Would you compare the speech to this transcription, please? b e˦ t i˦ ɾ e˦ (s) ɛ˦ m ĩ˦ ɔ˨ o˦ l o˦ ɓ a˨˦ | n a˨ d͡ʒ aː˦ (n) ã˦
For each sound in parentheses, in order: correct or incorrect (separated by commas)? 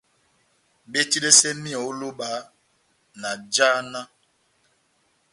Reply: correct, correct